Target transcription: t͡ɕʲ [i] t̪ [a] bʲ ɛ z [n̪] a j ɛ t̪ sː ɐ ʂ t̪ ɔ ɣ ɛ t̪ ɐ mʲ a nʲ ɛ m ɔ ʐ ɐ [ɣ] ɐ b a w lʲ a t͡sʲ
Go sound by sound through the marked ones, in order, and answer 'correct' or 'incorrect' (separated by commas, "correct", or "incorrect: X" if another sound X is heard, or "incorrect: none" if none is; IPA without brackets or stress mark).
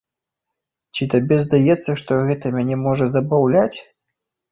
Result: correct, correct, incorrect: d̪, incorrect: z